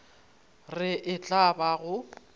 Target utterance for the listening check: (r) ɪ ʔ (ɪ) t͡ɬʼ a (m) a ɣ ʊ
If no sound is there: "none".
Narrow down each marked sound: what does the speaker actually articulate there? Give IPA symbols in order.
r, ɪ, b

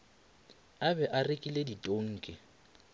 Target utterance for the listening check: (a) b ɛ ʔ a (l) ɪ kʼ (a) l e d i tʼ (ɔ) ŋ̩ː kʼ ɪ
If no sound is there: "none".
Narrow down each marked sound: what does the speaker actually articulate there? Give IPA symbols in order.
a, r, i, o

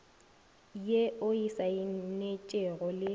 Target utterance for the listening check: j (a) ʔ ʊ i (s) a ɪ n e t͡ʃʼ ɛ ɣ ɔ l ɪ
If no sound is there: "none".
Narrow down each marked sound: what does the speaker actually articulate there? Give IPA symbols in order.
e, s

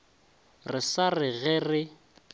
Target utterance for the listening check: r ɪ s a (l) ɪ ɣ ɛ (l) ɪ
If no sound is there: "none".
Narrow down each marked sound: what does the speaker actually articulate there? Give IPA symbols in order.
r, r

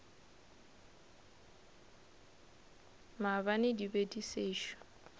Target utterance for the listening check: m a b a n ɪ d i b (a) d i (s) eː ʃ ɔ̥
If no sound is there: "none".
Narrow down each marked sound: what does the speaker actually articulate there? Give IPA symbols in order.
e, s

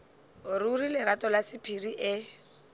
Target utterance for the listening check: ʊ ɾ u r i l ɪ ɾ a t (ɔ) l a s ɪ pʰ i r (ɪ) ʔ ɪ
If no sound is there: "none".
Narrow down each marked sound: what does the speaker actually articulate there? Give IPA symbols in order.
ɔ, i

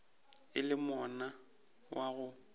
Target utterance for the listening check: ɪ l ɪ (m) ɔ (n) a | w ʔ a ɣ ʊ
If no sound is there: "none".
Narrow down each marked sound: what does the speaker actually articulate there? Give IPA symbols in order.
m, n

